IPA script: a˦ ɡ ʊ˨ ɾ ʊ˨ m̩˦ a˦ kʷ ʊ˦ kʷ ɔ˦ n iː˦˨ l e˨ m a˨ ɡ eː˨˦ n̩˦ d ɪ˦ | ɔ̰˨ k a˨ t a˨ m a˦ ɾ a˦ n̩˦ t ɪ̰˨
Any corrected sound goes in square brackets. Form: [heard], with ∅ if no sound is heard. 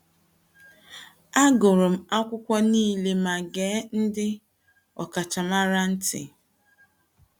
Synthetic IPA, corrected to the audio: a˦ ɡ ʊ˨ ɾ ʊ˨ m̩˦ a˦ kʷ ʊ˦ kʷ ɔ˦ n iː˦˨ l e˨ m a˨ ɡ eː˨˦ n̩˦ d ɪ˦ | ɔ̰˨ k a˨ [t͡ʃ] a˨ m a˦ ɾ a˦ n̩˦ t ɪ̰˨